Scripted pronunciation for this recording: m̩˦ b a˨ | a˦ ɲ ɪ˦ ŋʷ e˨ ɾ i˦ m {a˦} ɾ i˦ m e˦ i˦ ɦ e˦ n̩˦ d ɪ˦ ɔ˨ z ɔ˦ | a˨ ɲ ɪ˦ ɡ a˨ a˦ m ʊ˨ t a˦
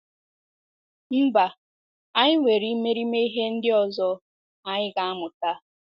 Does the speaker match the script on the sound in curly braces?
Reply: no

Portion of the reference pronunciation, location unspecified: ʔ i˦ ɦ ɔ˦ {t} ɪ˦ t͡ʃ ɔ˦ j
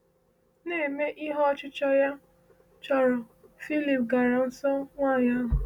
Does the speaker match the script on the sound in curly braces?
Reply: no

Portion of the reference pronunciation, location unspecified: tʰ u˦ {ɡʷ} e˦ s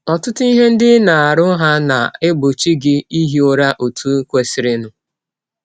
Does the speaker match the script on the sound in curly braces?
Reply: no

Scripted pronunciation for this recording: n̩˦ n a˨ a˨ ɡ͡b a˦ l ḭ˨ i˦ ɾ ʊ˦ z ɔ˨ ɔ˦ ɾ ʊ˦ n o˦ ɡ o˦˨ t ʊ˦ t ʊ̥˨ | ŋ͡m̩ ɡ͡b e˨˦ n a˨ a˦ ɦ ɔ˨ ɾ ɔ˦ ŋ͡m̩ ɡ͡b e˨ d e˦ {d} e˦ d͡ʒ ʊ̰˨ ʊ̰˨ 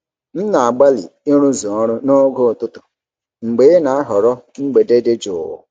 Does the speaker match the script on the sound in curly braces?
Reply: yes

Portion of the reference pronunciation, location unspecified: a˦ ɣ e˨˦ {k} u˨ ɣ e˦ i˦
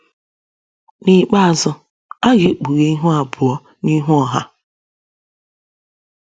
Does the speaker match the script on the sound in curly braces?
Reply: no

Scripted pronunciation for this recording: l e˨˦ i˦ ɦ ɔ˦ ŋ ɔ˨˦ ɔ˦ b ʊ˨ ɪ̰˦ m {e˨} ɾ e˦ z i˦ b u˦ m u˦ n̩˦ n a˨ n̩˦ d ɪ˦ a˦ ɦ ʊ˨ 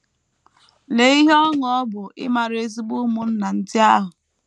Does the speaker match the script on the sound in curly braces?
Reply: no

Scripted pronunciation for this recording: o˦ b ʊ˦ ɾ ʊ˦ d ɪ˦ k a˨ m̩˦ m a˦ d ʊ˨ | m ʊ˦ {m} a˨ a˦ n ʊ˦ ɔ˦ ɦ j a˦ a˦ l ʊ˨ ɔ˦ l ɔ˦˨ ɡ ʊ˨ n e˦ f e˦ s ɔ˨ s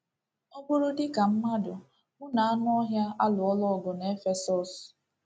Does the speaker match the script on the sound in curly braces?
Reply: no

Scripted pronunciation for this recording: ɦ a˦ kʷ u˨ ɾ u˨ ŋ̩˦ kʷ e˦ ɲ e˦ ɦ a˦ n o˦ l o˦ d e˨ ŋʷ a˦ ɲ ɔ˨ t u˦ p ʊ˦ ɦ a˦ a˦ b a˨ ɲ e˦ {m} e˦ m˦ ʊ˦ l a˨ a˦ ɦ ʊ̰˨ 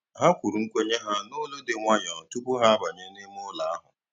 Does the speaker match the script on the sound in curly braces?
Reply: no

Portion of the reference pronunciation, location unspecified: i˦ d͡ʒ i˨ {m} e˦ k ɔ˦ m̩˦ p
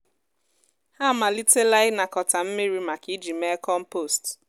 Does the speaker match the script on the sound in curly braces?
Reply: yes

